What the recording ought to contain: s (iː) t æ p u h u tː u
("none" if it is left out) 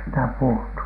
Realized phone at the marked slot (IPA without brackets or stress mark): i